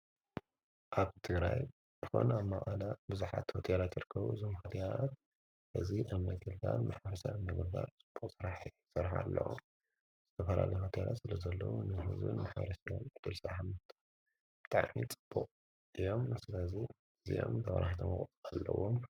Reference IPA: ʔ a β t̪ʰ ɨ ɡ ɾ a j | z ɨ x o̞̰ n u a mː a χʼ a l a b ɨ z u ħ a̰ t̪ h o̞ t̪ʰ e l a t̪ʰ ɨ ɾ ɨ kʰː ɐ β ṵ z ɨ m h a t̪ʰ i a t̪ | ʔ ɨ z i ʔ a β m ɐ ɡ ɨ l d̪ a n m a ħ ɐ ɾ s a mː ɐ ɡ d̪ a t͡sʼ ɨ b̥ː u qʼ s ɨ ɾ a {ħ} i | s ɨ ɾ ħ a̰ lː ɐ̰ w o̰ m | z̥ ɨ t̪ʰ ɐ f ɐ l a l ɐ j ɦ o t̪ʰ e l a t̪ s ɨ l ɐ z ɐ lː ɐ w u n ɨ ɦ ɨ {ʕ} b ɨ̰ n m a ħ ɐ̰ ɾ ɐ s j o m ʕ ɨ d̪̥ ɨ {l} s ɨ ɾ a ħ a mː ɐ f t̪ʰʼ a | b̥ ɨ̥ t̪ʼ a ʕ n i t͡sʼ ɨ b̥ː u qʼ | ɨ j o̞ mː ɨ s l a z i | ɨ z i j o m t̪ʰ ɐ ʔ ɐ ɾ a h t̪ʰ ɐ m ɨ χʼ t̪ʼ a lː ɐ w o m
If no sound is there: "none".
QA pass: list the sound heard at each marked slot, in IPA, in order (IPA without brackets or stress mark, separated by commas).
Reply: ħ, z, l